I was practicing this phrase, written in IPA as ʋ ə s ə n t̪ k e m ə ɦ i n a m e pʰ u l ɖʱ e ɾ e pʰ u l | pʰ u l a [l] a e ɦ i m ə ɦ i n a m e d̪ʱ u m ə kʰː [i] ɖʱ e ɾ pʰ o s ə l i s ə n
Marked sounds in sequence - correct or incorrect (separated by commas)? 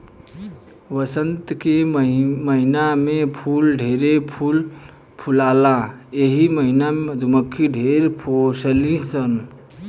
correct, correct